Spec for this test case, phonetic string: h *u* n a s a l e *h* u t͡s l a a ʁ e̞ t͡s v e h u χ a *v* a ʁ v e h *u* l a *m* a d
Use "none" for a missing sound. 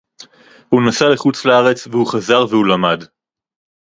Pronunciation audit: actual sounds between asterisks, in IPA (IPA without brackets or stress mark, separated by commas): u, χ, z, u, m